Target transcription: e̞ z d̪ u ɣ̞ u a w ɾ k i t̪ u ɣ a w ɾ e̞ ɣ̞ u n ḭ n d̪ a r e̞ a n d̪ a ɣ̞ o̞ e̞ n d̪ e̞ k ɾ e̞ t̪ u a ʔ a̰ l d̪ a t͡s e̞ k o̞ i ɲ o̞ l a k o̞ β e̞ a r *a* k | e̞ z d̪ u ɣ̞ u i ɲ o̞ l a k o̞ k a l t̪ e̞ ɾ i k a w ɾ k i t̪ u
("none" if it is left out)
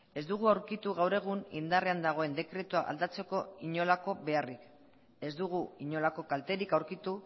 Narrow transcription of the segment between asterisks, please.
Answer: i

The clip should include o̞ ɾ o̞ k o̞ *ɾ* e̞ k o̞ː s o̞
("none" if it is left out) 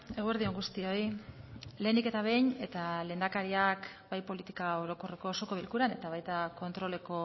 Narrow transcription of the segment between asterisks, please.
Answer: r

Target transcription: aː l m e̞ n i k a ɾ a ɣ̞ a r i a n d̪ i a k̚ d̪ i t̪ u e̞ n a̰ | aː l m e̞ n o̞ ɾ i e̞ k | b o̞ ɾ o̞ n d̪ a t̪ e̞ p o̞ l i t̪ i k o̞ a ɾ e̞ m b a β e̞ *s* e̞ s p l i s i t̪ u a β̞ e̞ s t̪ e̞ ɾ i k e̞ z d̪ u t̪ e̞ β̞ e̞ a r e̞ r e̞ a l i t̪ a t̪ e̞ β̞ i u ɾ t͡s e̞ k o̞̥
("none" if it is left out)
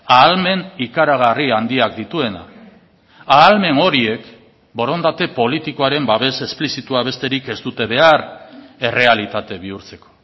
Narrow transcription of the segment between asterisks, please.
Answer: s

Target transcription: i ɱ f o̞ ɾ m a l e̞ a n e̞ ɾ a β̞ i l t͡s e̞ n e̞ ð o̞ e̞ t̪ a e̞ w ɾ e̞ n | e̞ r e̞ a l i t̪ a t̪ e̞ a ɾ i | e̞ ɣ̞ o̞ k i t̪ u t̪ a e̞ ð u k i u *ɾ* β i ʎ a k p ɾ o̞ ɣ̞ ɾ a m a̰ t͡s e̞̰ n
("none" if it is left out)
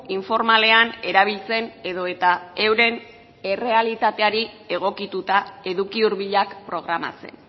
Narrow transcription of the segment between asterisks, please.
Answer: ɾ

